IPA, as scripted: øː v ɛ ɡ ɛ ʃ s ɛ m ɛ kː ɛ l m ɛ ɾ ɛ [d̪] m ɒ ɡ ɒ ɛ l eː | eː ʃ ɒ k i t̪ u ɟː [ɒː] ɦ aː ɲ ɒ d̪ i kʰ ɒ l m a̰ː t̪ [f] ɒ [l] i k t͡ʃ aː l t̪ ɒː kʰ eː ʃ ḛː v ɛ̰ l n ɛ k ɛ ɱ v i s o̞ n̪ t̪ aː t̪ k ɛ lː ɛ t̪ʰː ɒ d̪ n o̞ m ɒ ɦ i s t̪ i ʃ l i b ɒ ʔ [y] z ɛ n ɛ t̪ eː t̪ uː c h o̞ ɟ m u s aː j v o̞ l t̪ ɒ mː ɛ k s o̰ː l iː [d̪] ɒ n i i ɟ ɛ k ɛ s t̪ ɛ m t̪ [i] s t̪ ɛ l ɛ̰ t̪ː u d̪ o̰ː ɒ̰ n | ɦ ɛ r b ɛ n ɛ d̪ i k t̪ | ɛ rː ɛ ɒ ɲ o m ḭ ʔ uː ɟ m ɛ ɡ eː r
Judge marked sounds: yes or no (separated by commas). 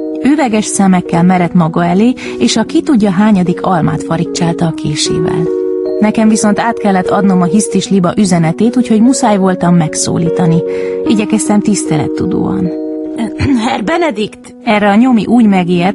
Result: no, no, yes, no, yes, no, yes